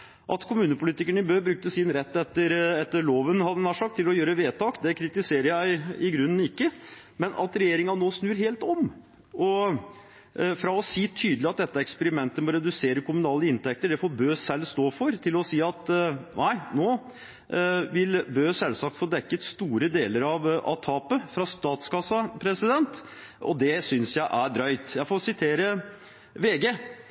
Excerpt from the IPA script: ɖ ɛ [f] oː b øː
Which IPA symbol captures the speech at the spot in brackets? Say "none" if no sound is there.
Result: f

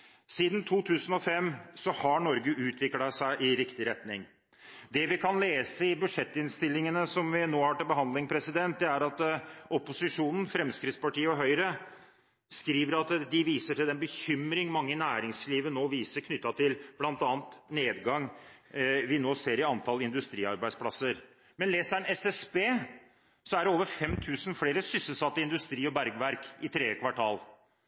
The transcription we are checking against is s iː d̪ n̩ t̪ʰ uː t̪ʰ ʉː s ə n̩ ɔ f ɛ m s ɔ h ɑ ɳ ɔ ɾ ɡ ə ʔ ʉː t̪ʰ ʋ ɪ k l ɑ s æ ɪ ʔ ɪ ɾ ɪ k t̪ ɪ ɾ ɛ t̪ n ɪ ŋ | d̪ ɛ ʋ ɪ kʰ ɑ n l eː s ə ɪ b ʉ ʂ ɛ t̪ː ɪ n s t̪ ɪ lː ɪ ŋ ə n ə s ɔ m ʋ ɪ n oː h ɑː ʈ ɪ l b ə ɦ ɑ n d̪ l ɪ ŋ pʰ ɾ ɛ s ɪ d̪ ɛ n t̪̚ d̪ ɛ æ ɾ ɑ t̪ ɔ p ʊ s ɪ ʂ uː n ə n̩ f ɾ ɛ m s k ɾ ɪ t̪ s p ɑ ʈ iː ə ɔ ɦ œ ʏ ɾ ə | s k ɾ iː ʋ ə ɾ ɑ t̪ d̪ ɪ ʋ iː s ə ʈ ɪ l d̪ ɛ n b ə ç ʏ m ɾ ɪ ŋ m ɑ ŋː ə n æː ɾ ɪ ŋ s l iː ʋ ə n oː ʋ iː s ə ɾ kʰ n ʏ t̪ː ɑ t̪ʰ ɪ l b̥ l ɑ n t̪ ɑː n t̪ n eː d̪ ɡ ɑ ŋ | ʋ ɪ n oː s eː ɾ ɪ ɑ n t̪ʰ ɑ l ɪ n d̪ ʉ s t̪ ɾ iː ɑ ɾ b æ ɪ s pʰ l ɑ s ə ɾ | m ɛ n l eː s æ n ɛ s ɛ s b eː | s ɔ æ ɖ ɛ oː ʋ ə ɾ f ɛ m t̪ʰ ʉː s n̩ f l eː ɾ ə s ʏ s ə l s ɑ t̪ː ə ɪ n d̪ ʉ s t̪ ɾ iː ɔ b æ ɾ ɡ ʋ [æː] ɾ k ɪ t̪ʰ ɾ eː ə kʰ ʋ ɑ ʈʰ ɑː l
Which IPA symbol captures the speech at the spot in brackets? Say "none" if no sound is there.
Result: æ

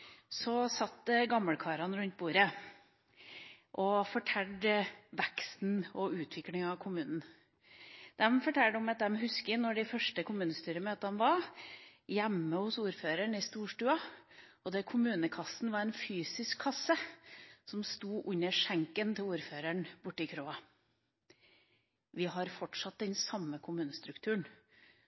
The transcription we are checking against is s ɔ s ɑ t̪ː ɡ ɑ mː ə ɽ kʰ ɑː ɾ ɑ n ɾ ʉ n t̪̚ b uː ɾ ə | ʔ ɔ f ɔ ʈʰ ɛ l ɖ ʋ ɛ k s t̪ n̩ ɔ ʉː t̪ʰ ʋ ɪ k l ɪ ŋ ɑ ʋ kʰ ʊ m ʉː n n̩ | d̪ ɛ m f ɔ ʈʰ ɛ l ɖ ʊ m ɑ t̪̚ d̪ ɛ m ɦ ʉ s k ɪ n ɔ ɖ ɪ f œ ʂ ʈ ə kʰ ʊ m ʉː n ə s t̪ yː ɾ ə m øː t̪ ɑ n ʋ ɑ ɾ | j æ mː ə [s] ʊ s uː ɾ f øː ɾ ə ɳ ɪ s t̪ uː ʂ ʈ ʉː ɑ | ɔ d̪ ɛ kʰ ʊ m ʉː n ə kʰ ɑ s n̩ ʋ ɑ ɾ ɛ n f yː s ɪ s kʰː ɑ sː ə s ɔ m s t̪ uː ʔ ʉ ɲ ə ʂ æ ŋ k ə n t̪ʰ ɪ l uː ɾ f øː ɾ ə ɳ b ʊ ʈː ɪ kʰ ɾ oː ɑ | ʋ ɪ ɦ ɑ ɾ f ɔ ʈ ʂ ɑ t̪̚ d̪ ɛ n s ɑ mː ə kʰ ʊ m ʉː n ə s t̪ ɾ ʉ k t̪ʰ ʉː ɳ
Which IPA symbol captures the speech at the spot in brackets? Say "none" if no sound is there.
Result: h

